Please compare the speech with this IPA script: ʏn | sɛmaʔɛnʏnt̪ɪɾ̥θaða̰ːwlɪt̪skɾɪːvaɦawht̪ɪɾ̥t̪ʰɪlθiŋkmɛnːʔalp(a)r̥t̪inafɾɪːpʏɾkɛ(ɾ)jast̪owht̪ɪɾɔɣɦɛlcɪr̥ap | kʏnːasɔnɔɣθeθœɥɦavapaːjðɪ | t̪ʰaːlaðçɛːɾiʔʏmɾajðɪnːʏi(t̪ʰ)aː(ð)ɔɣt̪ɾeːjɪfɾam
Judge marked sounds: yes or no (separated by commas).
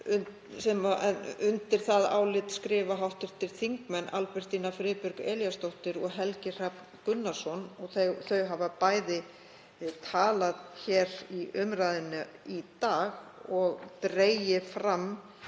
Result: no, no, no, no